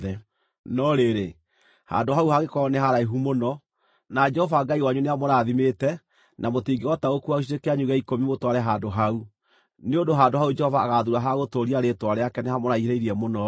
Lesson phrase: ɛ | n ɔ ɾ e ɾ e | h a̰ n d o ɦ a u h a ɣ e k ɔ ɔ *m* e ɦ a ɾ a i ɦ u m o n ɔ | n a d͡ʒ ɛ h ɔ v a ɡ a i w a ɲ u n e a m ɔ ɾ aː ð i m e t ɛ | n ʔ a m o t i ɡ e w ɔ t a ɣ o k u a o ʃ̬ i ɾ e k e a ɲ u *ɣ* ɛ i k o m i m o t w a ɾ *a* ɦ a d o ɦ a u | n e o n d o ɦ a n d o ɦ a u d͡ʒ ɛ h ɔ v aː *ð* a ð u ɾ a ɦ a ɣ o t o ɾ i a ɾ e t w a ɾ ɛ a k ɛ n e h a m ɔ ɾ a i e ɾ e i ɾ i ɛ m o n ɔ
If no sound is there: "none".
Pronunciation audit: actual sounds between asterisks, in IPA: n, ɣ, ɛ, ɣ

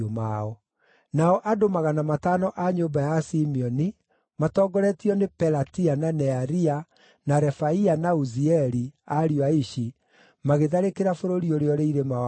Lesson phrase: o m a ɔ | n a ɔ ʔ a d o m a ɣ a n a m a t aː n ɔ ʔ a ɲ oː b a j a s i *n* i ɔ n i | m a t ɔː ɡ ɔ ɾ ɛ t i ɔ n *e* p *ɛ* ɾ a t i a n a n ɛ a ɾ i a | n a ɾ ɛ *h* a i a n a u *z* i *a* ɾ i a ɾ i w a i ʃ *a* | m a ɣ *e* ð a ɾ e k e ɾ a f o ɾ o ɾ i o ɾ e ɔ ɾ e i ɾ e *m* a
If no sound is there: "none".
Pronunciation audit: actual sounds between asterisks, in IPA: m, e, ɛ, f, z, ɛ, i, e, m

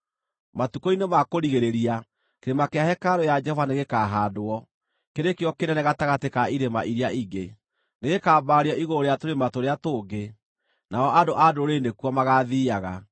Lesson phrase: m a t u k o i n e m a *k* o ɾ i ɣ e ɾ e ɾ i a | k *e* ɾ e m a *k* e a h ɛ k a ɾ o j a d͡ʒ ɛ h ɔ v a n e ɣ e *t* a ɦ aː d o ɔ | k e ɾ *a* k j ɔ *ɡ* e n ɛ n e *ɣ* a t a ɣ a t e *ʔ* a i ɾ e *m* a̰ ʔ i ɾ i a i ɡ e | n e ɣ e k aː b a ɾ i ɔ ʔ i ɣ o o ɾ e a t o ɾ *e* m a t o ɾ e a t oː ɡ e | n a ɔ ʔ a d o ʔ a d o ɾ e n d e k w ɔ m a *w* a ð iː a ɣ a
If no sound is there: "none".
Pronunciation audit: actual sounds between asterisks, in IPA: k, e, k, k, e, k, ɣ, k, m, e, ɣ

